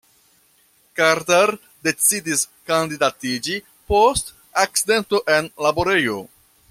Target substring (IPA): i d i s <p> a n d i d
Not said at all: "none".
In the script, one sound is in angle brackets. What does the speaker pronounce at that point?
k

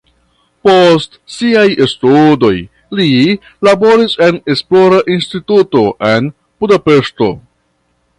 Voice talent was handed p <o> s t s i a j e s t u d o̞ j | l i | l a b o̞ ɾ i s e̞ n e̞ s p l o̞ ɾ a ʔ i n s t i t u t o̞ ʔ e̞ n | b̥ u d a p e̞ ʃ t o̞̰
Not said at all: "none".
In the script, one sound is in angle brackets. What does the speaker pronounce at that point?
o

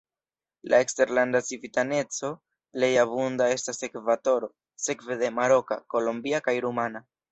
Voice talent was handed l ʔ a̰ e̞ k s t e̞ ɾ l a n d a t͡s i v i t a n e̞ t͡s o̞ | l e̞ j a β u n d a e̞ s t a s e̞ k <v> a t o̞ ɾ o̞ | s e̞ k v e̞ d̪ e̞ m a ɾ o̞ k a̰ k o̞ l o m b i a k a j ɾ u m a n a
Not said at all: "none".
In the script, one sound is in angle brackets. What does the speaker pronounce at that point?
v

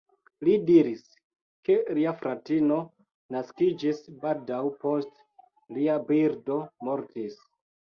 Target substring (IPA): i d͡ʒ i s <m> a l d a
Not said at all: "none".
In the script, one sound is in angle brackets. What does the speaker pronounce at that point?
b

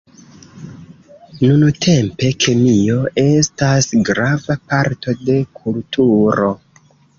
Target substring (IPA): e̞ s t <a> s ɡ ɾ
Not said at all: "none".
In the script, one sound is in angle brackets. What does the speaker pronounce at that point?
a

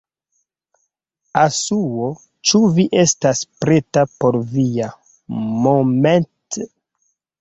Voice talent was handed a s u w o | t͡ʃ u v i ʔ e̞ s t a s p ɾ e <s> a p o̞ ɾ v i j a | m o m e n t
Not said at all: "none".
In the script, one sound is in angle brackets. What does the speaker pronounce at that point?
t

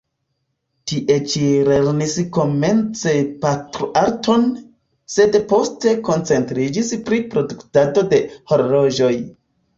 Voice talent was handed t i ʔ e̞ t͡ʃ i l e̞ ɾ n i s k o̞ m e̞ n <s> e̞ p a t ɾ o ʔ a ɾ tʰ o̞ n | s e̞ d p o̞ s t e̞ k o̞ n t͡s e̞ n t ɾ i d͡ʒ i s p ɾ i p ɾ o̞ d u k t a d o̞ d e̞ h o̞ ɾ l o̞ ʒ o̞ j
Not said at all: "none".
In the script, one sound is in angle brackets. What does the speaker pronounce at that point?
t͡s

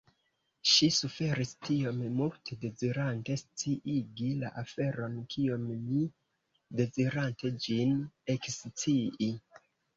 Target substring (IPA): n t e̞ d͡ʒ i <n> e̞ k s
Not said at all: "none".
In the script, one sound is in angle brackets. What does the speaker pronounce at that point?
n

